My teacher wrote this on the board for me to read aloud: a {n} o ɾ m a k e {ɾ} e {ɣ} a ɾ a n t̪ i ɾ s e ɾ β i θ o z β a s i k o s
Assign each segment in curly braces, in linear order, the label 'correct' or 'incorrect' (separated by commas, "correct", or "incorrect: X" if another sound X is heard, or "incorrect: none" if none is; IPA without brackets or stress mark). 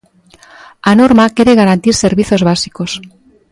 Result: correct, correct, correct